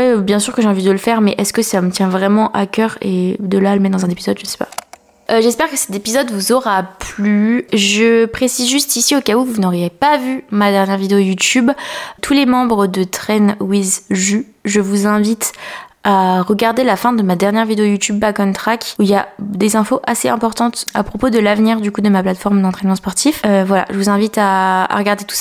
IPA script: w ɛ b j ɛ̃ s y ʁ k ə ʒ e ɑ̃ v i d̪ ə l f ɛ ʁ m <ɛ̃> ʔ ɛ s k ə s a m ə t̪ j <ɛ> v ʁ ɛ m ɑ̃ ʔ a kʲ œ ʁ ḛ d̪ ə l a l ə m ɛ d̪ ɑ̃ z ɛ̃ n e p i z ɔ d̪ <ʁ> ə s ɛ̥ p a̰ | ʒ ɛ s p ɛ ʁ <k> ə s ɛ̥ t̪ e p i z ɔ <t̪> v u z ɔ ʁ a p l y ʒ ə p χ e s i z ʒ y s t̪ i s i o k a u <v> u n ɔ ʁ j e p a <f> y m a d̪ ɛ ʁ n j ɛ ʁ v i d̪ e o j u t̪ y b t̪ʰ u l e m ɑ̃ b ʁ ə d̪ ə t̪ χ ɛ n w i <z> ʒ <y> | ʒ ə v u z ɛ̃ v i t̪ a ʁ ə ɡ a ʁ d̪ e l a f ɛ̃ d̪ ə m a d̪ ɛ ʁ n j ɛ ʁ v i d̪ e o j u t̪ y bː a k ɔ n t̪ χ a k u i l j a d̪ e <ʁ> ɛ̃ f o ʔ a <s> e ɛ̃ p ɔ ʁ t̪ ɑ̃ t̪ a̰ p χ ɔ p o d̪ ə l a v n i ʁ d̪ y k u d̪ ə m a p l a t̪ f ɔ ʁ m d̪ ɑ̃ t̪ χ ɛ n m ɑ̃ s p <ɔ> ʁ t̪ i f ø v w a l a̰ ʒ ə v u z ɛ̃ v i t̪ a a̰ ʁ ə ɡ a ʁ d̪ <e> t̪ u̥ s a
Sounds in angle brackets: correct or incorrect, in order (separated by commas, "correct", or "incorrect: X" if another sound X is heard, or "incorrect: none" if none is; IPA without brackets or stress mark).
incorrect: ɛ, incorrect: ɛ̃, incorrect: ʒ, correct, incorrect: d̪, correct, incorrect: v, correct, correct, incorrect: z, correct, correct, correct